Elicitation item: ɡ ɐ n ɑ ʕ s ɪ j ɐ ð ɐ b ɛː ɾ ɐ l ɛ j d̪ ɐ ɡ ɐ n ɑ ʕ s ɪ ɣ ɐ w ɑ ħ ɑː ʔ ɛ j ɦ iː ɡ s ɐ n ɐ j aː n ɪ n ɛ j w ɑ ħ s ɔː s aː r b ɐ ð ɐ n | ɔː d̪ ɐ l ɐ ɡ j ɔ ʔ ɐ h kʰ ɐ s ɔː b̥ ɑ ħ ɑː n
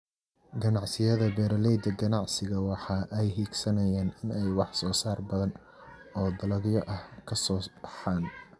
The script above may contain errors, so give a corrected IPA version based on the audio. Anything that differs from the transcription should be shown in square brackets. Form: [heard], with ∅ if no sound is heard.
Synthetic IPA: ɡ ɐ n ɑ ʕ s ɪ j ɐ ð ɐ b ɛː ɾ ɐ l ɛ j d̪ ɐ ɡ ɐ n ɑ ʕ s ɪ ɣ ɐ w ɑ ħ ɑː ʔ ɛ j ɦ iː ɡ s ɐ n ɐ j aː n ɪ n ɛ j w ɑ ħ s ɔː s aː r b ɐ ð ɐ n | ɔː d̪ ɐ l ɐ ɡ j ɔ ʔ ɐ h kʰ ɐ s ɔː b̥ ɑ ħ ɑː n